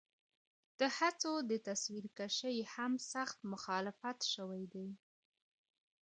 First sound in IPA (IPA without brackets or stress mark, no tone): d̪̥